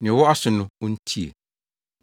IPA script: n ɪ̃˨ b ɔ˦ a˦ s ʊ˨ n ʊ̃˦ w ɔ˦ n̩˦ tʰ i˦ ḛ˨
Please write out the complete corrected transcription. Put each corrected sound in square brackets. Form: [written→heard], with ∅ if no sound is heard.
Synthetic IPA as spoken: n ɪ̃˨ [b→w] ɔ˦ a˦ s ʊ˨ n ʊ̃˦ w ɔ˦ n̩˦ tʰ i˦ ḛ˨